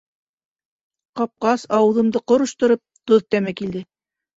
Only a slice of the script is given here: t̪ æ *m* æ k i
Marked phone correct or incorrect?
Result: correct